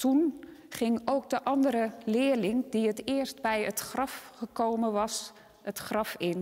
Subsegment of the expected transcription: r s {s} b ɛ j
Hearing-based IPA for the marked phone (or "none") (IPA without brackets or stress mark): t